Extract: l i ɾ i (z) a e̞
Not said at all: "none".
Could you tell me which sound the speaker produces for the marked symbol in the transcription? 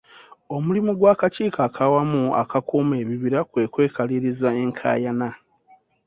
z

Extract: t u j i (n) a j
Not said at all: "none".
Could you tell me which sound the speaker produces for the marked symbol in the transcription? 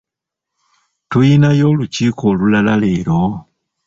n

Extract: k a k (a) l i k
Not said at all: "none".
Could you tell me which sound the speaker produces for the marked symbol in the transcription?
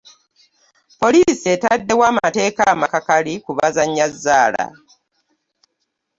a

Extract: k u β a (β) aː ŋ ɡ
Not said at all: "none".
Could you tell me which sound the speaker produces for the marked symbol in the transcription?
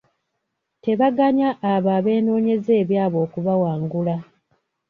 w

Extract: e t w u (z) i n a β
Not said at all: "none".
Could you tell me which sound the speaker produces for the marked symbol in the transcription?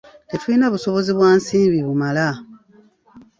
none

